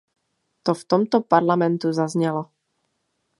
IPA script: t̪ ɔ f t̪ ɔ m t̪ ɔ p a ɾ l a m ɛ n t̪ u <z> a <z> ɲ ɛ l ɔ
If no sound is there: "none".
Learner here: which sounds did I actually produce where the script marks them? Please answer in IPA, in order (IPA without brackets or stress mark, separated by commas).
z, z